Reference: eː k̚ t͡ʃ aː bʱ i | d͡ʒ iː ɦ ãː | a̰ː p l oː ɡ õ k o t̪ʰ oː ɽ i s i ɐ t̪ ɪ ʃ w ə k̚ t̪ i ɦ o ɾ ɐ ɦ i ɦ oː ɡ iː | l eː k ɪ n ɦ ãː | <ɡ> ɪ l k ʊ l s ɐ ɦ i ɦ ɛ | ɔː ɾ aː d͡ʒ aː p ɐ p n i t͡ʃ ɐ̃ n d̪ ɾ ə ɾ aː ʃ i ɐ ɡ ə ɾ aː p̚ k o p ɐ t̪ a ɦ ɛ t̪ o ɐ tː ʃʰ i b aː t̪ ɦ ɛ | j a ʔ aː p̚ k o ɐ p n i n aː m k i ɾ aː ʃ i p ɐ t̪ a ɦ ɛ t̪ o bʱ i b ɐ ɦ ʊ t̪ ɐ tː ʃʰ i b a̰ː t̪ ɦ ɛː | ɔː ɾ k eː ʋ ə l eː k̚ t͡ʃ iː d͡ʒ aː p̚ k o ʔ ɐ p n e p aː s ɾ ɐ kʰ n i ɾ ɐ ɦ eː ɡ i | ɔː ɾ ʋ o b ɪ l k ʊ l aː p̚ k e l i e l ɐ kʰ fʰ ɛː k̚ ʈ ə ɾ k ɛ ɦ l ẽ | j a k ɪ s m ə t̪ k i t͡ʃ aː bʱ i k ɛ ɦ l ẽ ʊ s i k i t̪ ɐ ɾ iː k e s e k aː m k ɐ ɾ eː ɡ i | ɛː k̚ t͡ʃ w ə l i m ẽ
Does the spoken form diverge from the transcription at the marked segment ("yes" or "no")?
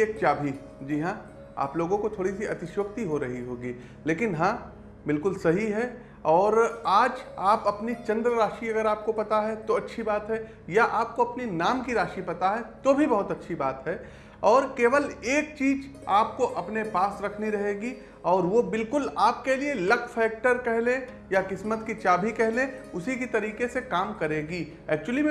yes